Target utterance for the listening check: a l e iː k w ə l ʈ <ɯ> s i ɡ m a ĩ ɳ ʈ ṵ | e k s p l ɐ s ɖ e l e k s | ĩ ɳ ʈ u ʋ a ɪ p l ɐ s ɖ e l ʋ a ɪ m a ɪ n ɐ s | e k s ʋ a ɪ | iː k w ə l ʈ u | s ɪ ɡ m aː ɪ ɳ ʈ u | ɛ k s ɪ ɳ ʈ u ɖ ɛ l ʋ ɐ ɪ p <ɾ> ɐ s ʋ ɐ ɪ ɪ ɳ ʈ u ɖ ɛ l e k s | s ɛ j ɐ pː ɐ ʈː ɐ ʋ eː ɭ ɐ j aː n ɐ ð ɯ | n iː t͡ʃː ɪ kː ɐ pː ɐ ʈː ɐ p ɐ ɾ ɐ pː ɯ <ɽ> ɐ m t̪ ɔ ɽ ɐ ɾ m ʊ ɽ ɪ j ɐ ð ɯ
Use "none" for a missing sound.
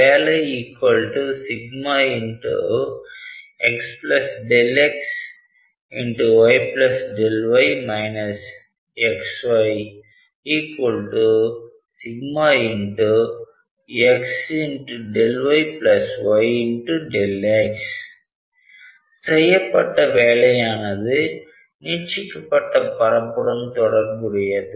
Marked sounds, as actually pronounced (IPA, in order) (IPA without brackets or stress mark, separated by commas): u, l, ɽ